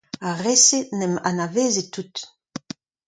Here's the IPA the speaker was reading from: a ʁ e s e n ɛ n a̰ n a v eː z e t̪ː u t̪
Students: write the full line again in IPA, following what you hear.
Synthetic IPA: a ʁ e s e n ɛ m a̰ n a v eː z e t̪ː u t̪